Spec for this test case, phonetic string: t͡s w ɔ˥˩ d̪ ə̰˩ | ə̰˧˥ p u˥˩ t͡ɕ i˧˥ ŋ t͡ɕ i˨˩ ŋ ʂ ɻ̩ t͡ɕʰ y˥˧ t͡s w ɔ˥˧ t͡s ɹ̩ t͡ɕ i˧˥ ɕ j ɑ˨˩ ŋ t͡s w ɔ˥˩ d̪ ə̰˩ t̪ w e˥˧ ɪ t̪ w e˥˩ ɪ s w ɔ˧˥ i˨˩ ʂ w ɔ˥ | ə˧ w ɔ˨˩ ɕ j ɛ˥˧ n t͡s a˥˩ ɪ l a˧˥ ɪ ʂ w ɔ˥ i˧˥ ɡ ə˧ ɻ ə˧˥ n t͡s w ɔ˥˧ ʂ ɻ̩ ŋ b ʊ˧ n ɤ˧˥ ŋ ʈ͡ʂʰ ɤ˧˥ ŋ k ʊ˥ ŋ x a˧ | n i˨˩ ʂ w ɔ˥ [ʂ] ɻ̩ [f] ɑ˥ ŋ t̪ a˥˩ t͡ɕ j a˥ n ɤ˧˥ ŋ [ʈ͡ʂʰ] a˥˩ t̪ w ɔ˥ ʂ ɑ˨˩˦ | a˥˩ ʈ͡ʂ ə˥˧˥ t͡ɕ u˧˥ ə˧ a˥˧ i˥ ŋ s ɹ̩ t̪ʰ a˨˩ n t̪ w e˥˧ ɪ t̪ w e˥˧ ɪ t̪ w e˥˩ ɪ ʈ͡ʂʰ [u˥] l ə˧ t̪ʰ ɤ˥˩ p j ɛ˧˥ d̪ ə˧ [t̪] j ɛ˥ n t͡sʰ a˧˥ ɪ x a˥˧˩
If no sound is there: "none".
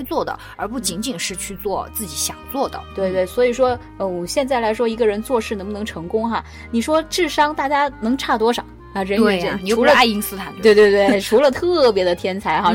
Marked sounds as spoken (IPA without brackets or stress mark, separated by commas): ʈ͡ʂ, ʂ, ʈ͡ʂʰ, u˧˥, t̪ʰ